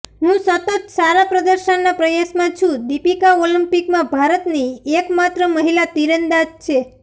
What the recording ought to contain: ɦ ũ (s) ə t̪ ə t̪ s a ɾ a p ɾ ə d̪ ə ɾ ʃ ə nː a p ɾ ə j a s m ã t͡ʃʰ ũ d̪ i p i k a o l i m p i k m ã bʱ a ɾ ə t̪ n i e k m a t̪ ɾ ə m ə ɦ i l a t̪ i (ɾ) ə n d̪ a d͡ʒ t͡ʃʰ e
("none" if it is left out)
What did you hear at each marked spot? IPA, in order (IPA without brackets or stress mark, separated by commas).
s, ɾ